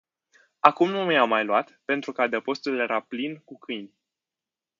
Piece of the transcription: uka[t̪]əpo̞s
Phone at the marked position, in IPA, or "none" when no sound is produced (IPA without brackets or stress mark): d̪